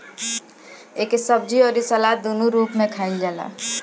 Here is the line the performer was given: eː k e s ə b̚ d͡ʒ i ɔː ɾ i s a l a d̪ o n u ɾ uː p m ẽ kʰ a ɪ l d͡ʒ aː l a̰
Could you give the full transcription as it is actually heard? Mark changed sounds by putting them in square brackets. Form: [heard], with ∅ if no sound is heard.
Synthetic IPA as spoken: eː k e s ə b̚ d͡ʒ i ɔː ɾ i s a l a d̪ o n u ɾ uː p m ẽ kʰ a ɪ l d͡ʒ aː l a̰

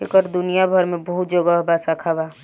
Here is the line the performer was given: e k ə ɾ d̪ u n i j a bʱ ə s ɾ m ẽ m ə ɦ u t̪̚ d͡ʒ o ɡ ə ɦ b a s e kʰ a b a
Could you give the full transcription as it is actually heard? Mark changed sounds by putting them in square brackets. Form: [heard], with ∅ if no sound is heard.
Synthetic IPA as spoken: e k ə ɾ d̪ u n i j a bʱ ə [∅] ɾ m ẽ [b] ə ɦ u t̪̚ d͡ʒ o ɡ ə ɦ b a s [a] kʰ a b a

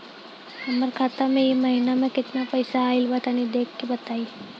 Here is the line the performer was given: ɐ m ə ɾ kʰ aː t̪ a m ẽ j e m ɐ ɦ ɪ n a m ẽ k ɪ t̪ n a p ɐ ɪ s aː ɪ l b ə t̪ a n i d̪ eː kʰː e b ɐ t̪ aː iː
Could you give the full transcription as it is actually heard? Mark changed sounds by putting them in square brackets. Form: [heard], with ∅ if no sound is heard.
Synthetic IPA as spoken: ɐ m ə ɾ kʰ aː t̪ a m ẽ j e m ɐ ɦ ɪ n a m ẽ k ɪ t̪ n a p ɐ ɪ s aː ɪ l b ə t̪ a n i d̪ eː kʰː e b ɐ t̪ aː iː

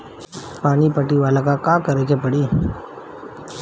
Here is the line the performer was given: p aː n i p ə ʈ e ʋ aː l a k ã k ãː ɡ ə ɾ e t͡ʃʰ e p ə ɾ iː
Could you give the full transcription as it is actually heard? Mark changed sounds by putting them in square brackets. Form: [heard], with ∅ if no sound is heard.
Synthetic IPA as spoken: p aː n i p ə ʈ [i] ʋ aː l a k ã k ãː [k] ə ɾ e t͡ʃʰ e p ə [ɽ] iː

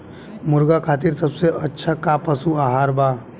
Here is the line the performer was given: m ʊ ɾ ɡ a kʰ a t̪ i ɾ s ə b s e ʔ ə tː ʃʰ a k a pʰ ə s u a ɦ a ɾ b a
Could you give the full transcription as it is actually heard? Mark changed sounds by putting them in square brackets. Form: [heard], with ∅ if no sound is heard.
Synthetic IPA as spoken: m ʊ ɾ ɡ a kʰ a t̪ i ɾ s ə b s e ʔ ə tː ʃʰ a k a [p] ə s u a ɦ a ɾ b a

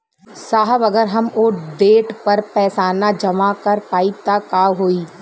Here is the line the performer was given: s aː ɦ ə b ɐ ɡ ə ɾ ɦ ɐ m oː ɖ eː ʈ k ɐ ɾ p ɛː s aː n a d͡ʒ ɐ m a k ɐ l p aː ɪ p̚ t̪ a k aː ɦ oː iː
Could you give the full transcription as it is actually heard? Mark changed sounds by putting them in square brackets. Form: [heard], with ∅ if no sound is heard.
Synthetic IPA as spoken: s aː ɦ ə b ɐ ɡ ə ɾ ɦ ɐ m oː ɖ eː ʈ [p] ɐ ɾ p ɛː s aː n a d͡ʒ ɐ m a k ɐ [ɾ] p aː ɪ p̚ t̪ a k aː ɦ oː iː

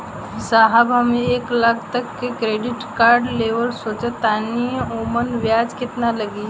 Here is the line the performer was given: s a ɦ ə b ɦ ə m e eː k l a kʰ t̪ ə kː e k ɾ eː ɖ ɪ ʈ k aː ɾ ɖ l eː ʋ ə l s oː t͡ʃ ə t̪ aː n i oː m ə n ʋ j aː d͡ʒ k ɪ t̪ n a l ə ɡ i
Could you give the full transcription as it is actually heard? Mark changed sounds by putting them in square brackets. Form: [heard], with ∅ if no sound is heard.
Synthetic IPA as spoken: s a ɦ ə b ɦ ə m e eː k l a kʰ t̪ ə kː e k ɾ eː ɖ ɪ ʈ k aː ɾ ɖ l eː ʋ ə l s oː t͡ʃ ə t̪ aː n i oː m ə n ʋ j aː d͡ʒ k ɪ t̪ n a l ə ɡ i

